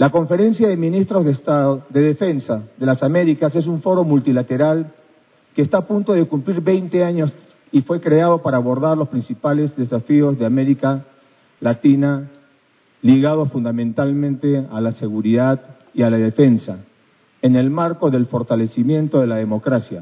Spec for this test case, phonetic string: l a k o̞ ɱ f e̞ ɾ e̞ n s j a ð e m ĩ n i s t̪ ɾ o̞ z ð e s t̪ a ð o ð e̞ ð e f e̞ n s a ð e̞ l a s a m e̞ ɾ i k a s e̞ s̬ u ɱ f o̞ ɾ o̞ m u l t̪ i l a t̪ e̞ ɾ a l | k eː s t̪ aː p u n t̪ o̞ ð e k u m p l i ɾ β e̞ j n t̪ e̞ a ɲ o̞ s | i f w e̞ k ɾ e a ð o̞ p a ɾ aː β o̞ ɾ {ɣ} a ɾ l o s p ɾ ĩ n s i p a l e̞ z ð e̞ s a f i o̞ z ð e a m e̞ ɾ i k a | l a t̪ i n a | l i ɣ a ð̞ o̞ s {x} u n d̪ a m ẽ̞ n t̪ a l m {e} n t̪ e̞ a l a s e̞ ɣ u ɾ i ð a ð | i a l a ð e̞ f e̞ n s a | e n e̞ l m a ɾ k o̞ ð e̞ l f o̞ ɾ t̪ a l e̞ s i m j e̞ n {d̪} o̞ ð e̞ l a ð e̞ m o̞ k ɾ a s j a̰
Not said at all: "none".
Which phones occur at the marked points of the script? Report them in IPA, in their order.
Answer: ð, f, ẽ, t̪

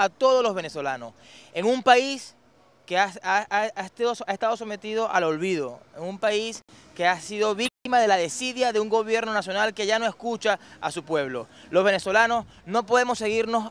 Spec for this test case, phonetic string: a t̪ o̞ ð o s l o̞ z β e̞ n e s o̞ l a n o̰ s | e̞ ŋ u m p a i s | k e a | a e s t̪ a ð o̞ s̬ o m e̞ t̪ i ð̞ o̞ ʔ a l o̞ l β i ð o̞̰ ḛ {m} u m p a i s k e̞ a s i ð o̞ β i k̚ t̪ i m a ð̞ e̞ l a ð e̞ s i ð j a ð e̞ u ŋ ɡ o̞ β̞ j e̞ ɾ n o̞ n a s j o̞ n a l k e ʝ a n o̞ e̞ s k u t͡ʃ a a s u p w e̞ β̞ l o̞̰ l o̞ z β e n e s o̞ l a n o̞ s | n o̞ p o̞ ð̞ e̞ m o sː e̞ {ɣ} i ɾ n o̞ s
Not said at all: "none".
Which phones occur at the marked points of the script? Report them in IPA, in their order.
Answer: ŋ, ɣ

